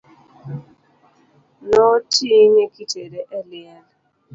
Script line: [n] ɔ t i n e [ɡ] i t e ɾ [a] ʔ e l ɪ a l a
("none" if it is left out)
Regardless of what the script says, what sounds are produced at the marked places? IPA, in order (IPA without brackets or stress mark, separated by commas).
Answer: n, k, e